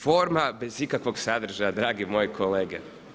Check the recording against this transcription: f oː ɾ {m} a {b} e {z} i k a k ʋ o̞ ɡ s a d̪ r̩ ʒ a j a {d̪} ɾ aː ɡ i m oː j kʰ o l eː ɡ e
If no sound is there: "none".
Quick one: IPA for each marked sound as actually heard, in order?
m, b, z, d̪

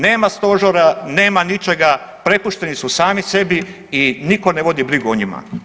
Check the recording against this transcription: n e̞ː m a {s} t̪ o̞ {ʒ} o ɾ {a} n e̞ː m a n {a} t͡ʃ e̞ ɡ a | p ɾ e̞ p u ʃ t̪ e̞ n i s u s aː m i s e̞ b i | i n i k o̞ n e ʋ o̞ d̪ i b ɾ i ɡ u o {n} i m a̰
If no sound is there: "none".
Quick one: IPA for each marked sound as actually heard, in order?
s, ʒ, a, i, ɲ

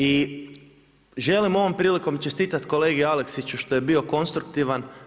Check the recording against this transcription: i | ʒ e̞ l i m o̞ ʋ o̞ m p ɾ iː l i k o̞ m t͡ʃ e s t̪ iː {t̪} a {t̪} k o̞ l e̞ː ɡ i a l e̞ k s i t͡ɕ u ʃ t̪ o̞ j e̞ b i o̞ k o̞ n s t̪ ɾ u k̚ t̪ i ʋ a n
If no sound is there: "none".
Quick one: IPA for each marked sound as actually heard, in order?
t̪, t̪

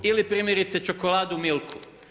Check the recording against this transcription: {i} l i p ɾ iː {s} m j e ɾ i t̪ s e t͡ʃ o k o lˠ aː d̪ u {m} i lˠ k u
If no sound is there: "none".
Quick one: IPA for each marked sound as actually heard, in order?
i, none, m

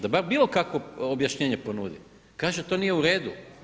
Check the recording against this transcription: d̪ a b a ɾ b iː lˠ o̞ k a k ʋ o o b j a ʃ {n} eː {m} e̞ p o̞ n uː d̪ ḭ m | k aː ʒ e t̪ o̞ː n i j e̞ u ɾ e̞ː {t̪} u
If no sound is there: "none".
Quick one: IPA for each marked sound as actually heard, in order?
ɲ, ɲ, d̪

